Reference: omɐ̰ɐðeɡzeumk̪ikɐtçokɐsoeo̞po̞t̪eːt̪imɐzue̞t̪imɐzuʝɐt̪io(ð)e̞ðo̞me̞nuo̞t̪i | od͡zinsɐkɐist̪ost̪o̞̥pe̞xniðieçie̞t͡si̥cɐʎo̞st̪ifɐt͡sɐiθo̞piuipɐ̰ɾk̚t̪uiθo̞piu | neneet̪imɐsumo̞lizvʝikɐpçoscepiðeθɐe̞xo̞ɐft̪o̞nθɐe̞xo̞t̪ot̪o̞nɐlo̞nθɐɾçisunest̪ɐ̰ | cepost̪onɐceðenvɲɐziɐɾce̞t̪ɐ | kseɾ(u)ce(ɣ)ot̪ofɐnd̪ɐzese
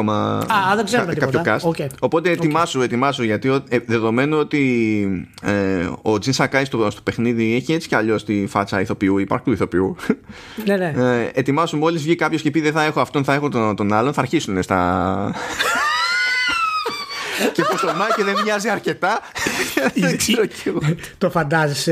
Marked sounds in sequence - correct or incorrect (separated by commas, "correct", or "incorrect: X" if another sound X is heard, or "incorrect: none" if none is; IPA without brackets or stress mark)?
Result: correct, incorrect: o, correct